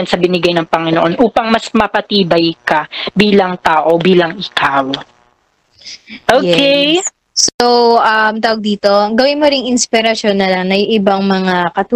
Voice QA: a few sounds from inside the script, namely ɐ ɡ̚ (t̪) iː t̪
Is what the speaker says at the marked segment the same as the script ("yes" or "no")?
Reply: no